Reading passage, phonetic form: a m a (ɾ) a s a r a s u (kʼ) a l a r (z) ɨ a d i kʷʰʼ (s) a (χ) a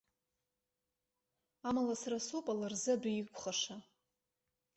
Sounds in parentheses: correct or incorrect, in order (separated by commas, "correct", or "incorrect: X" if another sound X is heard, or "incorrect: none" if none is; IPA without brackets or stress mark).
incorrect: l, incorrect: pʼ, correct, incorrect: χ, incorrect: ʂ